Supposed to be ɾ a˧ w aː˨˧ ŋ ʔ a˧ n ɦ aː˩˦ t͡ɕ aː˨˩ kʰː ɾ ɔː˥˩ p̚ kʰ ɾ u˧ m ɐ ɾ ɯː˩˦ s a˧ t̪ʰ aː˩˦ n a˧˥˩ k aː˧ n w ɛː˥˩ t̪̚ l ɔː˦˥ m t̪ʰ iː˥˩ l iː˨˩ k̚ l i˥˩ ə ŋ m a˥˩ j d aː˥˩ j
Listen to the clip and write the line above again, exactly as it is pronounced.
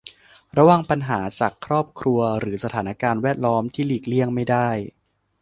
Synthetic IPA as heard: ɾ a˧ w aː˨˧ ŋ p a˧ n ɦ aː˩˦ t͡ɕ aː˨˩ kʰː ɾ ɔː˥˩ p̚ kʰ ɾ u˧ ɐ ɾ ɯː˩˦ s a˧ t̪ʰ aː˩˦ n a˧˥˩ k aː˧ n w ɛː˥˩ t̪̚ l ɔː˦˥ m t̪ʰ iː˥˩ l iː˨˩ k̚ l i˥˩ ə ŋ m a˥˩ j d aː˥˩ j